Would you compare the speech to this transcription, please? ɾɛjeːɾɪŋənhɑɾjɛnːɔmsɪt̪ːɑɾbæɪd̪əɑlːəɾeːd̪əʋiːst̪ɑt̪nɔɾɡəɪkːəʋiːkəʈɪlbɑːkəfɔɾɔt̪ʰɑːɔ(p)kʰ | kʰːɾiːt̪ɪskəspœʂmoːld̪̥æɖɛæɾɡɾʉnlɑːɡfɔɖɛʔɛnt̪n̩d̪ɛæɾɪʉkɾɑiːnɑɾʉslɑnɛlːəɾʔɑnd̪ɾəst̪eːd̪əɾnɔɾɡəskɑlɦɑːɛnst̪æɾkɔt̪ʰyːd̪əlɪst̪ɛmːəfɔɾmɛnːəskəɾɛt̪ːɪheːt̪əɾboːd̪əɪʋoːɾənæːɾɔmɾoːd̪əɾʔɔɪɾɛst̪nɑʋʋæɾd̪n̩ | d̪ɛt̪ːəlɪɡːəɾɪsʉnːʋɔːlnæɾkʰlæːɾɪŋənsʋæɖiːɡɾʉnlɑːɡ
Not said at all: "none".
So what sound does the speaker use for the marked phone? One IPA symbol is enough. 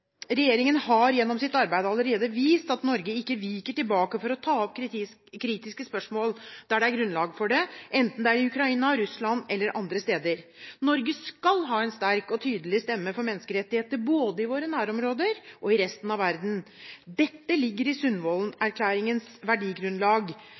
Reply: p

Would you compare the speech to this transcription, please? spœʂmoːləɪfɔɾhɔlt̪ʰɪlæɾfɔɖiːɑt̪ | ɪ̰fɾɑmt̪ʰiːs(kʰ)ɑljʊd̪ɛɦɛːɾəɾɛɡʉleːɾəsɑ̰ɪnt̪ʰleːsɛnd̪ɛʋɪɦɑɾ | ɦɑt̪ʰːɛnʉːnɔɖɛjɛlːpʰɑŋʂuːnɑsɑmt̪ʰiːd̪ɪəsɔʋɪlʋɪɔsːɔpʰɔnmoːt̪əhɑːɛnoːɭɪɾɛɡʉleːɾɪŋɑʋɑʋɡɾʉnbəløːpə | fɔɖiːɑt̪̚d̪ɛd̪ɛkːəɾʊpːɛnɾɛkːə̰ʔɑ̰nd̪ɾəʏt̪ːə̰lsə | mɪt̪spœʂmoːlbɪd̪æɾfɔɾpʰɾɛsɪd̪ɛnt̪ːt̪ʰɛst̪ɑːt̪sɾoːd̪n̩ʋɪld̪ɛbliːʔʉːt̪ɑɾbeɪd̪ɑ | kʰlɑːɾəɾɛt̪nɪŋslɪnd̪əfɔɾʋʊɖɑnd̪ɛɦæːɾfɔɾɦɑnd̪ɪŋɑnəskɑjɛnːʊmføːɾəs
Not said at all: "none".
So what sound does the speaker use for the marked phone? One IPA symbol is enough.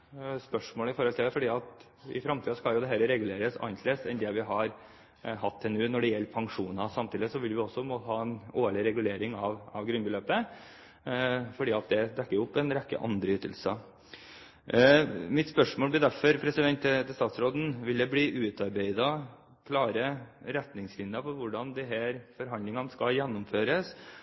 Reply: k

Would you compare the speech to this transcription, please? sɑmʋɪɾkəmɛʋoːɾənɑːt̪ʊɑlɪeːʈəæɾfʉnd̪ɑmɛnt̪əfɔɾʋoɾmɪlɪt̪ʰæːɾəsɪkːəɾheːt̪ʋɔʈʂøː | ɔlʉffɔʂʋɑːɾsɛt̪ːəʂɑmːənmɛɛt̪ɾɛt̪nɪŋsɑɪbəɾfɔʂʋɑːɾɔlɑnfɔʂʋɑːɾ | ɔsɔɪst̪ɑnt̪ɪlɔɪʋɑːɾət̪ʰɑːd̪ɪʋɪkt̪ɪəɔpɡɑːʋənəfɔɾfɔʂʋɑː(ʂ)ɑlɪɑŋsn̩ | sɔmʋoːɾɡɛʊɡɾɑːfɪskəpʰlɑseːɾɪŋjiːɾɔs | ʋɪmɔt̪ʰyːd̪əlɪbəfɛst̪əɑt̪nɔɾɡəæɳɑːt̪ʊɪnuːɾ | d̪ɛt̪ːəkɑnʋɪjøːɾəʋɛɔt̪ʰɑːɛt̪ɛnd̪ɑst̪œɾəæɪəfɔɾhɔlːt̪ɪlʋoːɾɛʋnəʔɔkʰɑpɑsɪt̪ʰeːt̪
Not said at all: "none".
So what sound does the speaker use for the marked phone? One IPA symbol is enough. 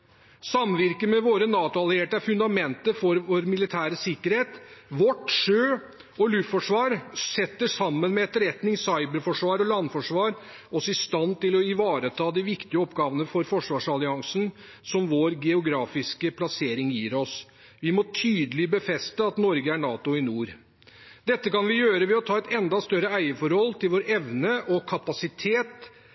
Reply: ʂ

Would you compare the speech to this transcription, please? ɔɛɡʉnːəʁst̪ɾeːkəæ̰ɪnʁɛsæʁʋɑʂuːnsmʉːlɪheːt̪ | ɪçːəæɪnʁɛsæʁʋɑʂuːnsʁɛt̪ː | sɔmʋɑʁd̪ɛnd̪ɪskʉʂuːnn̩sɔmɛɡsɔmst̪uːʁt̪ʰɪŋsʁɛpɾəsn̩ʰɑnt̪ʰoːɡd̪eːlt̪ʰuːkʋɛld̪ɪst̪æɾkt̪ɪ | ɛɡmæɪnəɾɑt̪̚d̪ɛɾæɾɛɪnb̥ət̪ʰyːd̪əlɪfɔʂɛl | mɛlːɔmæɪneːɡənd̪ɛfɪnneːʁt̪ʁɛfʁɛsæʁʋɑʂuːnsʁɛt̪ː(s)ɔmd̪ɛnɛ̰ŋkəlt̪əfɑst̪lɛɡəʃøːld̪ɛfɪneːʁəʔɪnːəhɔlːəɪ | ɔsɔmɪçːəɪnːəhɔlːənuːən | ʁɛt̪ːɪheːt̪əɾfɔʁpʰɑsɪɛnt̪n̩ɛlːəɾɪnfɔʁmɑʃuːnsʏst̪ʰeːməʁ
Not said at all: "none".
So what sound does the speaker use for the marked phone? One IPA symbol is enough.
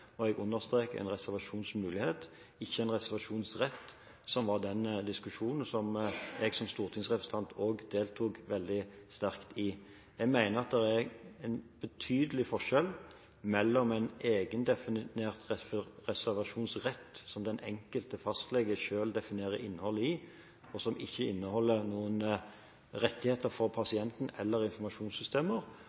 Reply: s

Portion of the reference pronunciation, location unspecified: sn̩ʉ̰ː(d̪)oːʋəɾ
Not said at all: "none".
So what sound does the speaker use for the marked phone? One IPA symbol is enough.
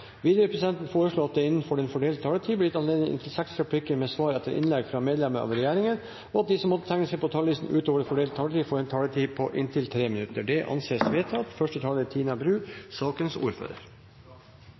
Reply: t̪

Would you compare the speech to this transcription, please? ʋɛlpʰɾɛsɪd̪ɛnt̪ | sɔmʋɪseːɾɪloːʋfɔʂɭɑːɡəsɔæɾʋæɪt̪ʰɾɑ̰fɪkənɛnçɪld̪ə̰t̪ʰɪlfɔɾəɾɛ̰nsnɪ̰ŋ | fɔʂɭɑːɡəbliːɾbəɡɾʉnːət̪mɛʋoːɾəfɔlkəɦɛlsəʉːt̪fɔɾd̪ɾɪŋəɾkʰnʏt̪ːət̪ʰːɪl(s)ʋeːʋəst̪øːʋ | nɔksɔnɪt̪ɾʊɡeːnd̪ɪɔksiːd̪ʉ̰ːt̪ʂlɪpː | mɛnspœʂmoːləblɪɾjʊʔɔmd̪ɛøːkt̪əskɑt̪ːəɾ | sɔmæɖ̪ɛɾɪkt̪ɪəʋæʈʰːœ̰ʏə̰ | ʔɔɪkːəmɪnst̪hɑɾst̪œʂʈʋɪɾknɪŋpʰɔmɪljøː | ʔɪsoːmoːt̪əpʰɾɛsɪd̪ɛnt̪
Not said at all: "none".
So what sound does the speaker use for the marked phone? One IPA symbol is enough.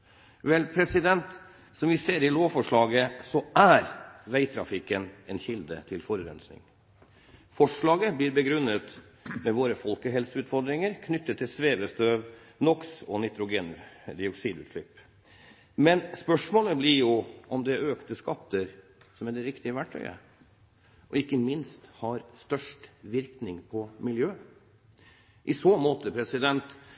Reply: s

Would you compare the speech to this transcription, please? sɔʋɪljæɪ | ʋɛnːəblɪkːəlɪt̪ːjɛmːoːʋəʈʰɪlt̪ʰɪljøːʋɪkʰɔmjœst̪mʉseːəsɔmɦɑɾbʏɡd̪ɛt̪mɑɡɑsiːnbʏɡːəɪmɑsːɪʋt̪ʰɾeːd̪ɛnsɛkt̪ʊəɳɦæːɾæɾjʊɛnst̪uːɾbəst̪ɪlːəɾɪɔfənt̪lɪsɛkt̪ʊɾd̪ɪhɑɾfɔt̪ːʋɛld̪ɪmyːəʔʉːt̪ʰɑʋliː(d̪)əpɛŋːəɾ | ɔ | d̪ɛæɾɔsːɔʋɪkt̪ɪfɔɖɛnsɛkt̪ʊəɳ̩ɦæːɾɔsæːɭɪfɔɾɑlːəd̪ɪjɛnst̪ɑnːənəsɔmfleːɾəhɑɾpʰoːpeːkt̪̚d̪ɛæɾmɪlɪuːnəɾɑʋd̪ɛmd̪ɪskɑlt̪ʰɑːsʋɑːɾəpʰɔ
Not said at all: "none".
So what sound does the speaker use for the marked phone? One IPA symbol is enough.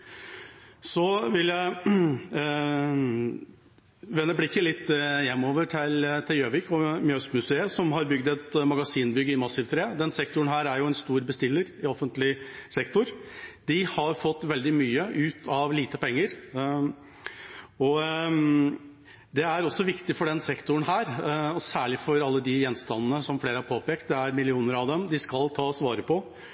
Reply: t̪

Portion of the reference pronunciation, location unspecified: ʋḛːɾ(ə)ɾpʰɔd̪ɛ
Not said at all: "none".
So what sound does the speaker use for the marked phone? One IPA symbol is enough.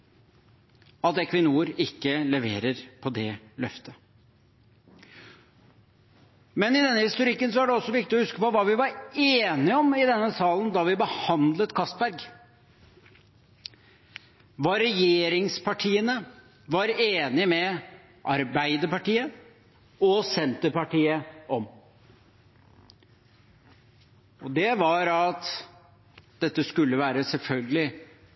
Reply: ə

